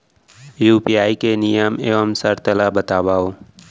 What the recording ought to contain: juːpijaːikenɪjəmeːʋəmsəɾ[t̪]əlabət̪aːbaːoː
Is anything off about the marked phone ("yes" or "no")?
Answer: no